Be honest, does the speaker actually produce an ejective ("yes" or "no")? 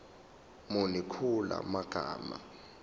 no